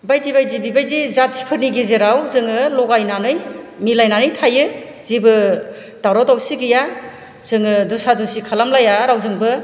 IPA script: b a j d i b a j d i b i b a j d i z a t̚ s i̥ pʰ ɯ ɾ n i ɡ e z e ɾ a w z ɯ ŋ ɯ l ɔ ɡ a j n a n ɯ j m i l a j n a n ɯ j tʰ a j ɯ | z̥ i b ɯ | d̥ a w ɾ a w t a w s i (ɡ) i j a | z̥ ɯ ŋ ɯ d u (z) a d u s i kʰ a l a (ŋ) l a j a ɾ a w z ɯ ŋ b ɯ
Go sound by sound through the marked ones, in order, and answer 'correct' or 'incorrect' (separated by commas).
correct, incorrect, incorrect